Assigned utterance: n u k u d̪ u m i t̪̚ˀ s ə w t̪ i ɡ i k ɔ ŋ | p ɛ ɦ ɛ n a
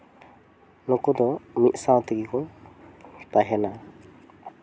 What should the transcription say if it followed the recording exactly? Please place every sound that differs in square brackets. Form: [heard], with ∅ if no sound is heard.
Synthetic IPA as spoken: n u k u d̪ [ɔ] m i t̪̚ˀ s [a] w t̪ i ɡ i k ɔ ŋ | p [a] ɦ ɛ n a